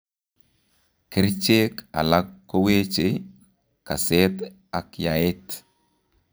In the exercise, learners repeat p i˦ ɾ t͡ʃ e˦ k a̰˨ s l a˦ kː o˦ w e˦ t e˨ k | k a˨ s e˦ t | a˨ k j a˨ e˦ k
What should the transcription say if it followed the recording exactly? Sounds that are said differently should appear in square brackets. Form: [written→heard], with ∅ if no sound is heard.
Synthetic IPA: [p→k] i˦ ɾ t͡ʃ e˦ k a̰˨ [s→∅] l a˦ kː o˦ w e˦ [t→t͡ʃ] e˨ [k→∅] | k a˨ s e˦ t | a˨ k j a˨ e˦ [k→t]